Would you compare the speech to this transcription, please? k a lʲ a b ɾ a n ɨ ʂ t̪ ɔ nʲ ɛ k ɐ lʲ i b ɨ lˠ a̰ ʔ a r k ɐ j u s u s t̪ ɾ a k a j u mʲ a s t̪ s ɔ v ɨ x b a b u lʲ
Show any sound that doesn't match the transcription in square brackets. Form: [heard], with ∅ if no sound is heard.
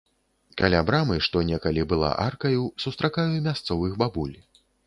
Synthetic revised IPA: k a lʲ a b ɾ a [m] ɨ ʂ t̪ ɔ nʲ ɛ k ɐ lʲ i b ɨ lˠ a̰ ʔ a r k ɐ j u s u s t̪ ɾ a k a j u mʲ a s t̪ s ɔ v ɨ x b a b u lʲ

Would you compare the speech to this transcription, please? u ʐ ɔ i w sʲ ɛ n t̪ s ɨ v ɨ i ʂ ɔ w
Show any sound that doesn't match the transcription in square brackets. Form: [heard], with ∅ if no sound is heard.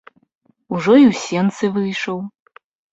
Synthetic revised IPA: u ʐ ɔ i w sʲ ɛ n t̪ s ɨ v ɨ [j] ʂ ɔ w

